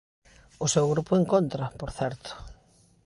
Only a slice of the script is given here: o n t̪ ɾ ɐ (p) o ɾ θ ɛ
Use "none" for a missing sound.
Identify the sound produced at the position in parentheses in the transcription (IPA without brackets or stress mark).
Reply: p